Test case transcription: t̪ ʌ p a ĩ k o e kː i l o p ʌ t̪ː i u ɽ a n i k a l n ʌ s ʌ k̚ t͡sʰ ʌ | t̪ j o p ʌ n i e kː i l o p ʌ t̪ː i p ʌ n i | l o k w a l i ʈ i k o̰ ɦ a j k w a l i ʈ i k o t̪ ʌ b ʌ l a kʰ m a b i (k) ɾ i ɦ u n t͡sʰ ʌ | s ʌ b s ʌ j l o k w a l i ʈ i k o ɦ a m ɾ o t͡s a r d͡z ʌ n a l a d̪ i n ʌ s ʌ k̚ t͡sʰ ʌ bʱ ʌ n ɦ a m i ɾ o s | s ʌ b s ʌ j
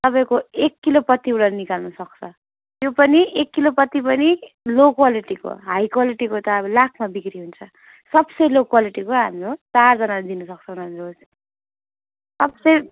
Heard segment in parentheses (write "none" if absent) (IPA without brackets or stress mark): k